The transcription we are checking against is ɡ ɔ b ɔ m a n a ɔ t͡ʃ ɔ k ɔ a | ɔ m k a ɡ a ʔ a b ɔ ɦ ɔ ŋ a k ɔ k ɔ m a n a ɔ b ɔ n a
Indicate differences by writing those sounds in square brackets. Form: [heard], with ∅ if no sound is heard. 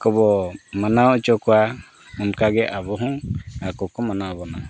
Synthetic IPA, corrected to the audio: [k] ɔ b ɔ m a n a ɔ t͡ʃ ɔ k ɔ a | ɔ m k a ɡ [ɛ] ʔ a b ɔ ɦ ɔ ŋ a k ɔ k ɔ m a n a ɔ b ɔ n a